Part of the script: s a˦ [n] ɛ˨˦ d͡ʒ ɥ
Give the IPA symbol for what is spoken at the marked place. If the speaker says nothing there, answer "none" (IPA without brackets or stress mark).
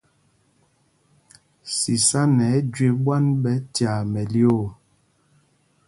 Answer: n